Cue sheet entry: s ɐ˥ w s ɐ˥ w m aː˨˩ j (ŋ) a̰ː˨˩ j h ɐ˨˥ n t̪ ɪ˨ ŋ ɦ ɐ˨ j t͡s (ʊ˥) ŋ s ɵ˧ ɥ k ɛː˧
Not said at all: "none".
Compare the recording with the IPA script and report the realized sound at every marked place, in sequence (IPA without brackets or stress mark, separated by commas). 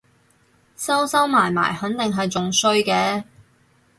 m, ʊ˨